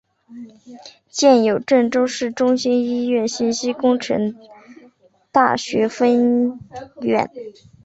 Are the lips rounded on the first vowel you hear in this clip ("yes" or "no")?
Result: no